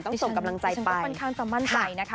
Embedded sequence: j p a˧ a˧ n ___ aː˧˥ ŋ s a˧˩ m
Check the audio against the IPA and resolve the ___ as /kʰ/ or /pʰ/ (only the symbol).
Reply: kʰ